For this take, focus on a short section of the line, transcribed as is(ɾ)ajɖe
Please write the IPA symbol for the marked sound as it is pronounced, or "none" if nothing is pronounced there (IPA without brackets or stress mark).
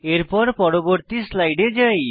l